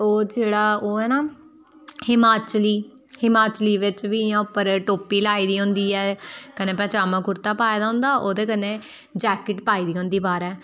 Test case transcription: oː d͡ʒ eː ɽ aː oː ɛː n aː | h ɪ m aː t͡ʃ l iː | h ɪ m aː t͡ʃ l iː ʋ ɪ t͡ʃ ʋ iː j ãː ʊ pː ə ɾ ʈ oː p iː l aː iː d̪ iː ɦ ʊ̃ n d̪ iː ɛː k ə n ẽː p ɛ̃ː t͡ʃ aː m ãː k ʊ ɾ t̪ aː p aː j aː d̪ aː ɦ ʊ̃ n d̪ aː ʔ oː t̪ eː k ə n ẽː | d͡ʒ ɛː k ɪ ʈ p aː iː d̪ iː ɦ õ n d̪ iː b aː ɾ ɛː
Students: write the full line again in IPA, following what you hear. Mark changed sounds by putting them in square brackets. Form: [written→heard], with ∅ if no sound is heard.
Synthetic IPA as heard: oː d͡ʒ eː ɽ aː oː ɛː n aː | h ɪ m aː t͡ʃ l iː | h ɪ m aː t͡ʃ l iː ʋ ɪ t͡ʃ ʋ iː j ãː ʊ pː ə ɾ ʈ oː p iː l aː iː d̪ iː ɦ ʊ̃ n d̪ iː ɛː k ə n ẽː p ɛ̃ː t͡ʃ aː m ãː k ʊ ɾ t̪ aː p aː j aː d̪ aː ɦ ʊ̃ n d̪ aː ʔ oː [t̪→d̪] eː k ə n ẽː | d͡ʒ ɛː k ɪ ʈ p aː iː d̪ iː ɦ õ n d̪ iː b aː ɾ ɛː